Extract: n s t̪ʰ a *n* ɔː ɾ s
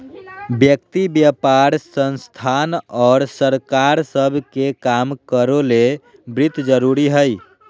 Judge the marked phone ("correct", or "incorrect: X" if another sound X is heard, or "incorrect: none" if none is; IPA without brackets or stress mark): correct